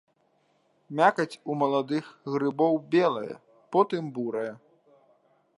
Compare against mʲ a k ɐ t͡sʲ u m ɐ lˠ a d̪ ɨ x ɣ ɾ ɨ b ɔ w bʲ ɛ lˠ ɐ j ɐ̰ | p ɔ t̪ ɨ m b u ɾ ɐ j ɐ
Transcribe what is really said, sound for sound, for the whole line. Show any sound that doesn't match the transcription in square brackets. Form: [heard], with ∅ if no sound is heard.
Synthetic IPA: mʲ a k ɐ t͡sʲ u m ɐ lˠ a d̪ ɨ x ɣ ɾ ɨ b ɔ w bʲ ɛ lˠ ɐ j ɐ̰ | p ɔ t̪ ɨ m b u ɾ ɐ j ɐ